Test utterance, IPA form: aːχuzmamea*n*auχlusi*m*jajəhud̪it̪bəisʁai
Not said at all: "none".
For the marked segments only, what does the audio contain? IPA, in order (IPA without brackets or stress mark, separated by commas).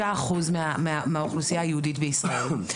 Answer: m, none